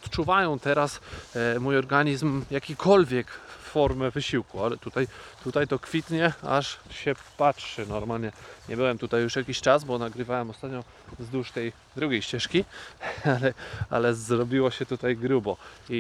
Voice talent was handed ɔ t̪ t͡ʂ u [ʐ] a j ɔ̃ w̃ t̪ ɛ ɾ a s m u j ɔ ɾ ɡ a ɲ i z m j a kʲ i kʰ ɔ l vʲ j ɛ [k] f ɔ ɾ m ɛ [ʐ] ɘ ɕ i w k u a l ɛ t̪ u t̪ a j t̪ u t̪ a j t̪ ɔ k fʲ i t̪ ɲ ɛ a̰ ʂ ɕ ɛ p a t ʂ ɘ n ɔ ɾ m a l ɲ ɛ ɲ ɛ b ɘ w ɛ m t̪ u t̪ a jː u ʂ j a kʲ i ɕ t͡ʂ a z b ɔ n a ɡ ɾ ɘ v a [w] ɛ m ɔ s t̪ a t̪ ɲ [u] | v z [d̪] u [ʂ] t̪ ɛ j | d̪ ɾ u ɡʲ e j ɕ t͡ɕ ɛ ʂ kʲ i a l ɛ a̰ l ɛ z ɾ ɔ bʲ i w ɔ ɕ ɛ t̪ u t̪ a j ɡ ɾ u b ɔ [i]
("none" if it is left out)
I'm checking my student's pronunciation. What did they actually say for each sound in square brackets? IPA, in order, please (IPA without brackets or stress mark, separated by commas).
v, k, v, w, ɔ, d̪, ʂ, i